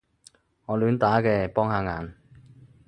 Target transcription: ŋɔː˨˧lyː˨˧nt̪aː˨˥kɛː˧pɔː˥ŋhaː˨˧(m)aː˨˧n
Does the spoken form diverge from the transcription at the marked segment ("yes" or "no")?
yes